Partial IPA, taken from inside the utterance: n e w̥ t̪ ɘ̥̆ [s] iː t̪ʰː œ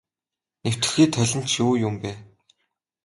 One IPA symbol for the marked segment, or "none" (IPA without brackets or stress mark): x